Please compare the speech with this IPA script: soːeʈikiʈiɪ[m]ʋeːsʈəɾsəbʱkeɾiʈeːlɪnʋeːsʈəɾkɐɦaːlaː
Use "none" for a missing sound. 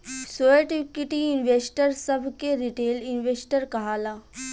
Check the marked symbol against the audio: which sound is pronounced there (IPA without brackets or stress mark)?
n